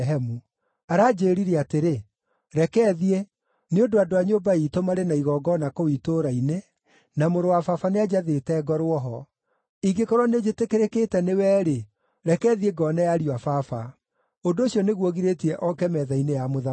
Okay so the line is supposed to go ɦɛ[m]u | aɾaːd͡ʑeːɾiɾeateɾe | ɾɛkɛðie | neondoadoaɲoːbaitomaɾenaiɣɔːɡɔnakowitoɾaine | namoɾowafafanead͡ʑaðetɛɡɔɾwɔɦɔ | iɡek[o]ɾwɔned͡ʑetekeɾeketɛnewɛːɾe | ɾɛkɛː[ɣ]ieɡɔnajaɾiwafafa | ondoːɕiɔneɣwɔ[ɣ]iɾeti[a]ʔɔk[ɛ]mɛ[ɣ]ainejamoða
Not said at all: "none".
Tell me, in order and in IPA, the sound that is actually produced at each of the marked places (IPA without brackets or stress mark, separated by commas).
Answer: m, ɔ, ð, ɣ, ɛ, ɛ, ð